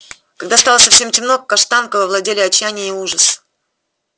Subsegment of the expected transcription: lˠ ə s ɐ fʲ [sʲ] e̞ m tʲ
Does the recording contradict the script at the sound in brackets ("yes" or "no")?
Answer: no